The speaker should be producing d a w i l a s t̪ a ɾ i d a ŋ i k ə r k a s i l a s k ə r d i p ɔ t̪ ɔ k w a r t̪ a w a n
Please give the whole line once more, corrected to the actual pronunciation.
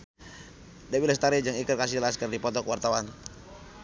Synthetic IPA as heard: d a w i l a s t̪ a ɾ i d͡ʒ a ŋ i k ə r k a s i l a s k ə r d i p ɔ t̪ ɔ k w a r t̪ a w a n